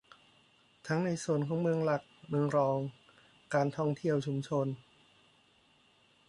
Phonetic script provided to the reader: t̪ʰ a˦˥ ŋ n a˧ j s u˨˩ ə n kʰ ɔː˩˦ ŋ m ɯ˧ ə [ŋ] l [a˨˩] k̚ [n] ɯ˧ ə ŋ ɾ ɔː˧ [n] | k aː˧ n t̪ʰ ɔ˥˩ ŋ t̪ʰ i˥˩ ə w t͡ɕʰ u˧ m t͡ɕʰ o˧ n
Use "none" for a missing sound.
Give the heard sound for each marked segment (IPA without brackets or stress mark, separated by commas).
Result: ŋ, a˨˩, m, ŋ